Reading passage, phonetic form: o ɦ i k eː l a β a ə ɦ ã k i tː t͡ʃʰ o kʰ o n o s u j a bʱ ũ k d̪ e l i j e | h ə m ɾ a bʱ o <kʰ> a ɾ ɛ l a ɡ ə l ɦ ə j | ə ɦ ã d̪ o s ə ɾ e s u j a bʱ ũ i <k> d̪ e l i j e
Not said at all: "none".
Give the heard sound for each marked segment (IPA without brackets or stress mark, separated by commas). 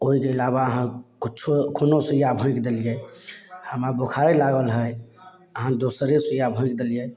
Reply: kʰ, k